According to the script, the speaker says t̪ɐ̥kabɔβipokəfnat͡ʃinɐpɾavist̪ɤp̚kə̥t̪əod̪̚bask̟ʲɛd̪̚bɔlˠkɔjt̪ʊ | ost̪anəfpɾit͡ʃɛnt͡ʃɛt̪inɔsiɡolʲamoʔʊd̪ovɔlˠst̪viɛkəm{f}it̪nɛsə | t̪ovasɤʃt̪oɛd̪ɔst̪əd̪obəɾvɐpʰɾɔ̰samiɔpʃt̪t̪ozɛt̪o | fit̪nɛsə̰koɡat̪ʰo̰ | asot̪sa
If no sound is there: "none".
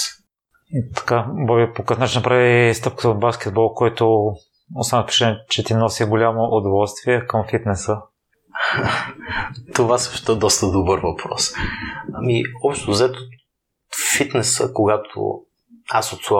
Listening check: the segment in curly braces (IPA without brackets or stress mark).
f